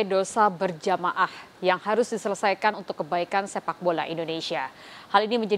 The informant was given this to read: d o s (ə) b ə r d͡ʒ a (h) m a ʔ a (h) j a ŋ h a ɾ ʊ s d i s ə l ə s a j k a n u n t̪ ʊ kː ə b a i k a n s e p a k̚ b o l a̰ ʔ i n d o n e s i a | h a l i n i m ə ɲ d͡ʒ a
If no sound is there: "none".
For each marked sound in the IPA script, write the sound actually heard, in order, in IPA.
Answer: a, none, h

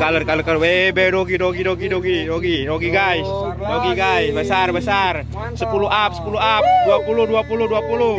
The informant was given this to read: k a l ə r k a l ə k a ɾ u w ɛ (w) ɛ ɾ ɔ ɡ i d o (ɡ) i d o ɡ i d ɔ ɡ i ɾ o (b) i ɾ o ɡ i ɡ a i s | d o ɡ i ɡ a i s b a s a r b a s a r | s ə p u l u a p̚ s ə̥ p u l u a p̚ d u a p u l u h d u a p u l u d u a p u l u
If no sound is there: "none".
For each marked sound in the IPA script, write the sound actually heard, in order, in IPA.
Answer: b, ɡ, ɡ

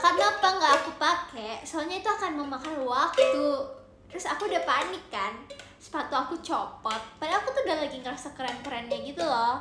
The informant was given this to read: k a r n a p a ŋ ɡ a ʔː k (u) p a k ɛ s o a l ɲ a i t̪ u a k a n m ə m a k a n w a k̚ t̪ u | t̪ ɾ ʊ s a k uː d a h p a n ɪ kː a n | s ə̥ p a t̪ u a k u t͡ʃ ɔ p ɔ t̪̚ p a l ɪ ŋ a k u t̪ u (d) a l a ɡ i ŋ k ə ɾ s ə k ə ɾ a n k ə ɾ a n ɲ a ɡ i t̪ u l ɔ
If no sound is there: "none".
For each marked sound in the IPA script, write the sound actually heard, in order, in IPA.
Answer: u, d

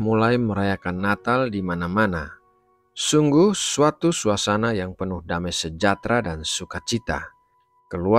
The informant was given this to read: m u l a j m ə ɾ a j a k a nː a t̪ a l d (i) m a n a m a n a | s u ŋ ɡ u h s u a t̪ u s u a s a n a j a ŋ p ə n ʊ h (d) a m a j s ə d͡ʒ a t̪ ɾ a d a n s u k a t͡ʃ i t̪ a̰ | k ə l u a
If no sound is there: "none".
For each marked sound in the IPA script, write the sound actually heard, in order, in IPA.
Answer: i, d

